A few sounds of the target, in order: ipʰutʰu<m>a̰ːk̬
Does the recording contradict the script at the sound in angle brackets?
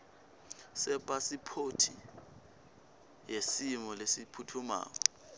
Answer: no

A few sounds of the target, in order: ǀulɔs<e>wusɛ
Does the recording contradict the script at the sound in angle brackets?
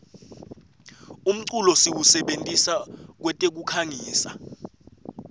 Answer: yes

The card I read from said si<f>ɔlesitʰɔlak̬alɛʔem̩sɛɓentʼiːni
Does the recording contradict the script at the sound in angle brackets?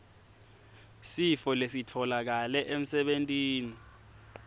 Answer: no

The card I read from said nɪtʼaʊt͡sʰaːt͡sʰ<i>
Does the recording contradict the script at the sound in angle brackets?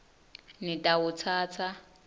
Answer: yes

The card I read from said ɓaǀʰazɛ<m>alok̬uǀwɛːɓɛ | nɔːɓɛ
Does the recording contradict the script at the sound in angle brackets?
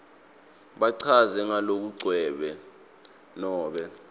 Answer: yes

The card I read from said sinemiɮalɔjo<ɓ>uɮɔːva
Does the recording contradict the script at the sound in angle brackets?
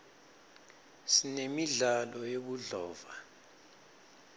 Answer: no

